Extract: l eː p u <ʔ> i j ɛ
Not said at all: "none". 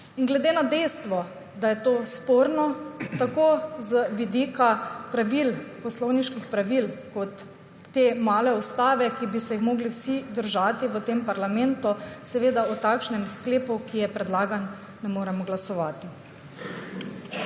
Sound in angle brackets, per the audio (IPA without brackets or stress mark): k